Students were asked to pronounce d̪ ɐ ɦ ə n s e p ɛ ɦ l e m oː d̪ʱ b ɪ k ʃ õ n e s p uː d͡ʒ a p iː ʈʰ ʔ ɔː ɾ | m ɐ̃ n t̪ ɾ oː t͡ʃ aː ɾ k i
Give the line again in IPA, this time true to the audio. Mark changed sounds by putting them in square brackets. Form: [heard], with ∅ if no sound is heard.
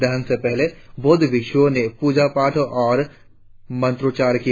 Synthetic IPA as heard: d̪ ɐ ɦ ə n s e p ɛ ɦ l e [b] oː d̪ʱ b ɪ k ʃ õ n e [∅] p uː d͡ʒ a p [aː] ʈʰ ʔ ɔː ɾ | m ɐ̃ n t̪ ɾ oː t͡ʃ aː ɾ k i